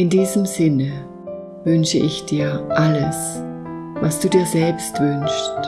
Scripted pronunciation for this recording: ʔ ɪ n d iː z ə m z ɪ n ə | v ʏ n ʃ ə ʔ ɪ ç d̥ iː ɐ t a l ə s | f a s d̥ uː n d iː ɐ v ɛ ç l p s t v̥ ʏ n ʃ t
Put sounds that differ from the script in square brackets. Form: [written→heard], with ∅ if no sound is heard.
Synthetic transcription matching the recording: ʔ ɪ n d iː z ə m z ɪ n ə | v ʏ n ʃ ə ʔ ɪ ç d̥ iː ɐ [t→ʔ] a l ə s | [f→v] a s d̥ uː [n→∅] d iː ɐ [v→z] ɛ [ç→∅] l p s t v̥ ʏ n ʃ t